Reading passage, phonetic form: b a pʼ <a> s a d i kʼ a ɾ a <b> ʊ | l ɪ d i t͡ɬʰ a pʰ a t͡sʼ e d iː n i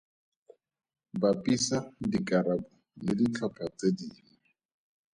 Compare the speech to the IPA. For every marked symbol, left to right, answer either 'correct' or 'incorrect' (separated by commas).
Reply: incorrect, correct